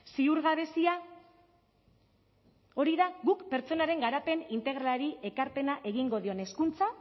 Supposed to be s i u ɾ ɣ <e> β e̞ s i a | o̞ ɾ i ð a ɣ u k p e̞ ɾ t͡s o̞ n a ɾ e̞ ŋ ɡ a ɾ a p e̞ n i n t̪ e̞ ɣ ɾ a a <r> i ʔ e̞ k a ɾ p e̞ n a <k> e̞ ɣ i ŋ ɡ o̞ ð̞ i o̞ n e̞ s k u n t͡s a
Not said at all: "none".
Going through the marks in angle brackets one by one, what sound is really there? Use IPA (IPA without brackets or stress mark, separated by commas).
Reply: a, ɾ, ʔ